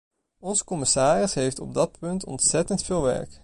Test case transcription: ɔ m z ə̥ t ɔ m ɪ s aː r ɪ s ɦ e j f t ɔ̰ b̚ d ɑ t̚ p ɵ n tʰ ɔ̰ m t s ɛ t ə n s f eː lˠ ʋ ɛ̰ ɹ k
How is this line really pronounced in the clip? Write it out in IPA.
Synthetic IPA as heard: ɔ n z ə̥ k ɔ m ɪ s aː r ɪ s ɦ e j f t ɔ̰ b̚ d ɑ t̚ p ɵ n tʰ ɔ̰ n t s ɛ t ə n t f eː lˠ ʋ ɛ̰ ɹ k